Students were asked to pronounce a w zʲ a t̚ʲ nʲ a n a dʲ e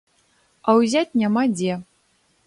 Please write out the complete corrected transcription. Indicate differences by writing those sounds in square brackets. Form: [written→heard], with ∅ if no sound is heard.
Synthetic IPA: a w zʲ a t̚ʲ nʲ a [n→m] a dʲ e